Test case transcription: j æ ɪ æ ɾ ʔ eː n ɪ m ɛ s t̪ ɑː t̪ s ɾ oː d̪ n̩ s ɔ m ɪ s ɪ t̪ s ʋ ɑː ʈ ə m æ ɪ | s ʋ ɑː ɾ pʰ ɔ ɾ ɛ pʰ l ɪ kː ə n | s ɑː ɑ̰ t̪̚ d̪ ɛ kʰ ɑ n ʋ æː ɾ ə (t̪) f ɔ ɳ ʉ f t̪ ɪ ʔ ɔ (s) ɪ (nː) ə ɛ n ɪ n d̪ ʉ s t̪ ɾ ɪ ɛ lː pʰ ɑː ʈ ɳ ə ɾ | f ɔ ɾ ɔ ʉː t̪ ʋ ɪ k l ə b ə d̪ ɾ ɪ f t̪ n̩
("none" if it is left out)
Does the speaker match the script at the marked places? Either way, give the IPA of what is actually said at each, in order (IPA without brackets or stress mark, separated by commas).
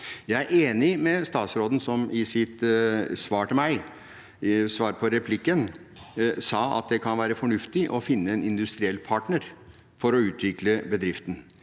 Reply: none, f, nː